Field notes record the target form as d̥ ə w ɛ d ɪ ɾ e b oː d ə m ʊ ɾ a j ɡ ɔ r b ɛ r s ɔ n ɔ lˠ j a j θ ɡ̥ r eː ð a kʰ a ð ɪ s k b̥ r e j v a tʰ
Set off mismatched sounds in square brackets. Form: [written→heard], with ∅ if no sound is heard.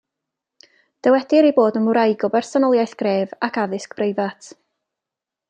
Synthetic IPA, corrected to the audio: d̥ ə w ɛ d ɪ ɾ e b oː d ə m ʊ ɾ a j ɡ ɔ [r→∅] b ɛ r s ɔ n ɔ lˠ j a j θ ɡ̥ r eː [ð→v] a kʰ a ð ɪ s k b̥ r e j v a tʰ